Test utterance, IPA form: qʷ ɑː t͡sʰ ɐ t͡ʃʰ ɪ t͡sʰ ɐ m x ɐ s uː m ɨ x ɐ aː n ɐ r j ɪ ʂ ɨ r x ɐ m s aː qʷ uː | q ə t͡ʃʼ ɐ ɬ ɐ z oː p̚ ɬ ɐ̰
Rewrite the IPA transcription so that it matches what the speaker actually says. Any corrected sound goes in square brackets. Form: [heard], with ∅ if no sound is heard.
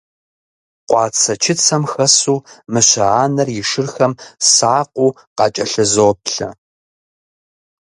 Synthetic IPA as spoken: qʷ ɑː t͡sʰ ɐ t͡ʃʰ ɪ t͡sʰ ɐ m x ɐ s uː m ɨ [ɕ] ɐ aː n ɐ r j ɪ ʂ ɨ r x ɐ m s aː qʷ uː | q [ɑ] t͡ʃʼ ɐ ɬ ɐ z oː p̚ ɬ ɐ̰